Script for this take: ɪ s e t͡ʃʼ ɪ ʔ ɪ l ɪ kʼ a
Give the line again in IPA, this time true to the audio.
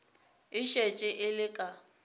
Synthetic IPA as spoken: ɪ ʃ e t͡ʃʼ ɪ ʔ ɪ l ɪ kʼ a